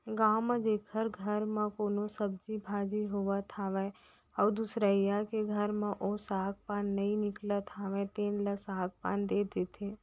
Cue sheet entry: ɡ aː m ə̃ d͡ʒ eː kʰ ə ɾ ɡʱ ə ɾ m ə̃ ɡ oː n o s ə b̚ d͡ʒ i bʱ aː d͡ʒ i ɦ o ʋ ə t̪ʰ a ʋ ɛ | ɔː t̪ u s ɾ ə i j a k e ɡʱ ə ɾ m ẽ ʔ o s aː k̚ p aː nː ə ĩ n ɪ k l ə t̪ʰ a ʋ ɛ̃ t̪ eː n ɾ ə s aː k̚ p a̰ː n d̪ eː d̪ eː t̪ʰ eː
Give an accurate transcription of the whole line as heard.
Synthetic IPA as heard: ɡ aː m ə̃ d͡ʒ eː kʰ ə ɾ ɡʱ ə ɾ m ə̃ k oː n o s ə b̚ d͡ʒ i bʱ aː d͡ʒ i ɦ o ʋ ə t̪ʰ a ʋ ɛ | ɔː d̪ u s ɾ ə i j a k e ɡʱ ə ɾ m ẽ ʔ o s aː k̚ p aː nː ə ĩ n ɪ k l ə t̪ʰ a ʋ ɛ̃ t̪ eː n l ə s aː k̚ p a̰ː n d̪ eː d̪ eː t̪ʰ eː